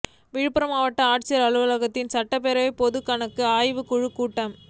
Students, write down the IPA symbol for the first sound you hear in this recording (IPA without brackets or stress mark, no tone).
ʋ